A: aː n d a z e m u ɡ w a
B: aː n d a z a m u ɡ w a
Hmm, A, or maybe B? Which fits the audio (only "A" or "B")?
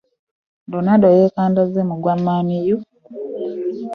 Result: A